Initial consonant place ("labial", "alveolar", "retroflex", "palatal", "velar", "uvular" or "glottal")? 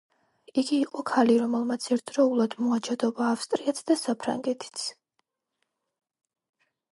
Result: velar